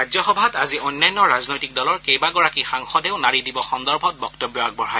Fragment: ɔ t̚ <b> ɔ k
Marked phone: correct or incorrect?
correct